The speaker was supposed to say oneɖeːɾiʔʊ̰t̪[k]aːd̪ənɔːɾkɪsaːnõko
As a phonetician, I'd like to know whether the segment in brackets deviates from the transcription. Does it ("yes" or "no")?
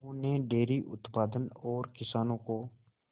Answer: yes